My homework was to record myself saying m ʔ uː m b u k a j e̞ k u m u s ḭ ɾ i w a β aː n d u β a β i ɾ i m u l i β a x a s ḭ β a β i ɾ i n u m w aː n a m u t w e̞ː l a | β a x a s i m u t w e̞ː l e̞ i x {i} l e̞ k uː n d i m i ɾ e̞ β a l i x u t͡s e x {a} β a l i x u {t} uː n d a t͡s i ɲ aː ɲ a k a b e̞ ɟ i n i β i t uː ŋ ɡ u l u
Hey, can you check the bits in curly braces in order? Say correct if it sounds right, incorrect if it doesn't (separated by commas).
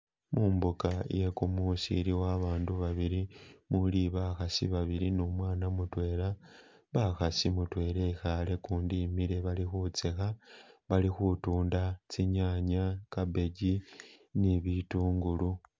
incorrect, correct, correct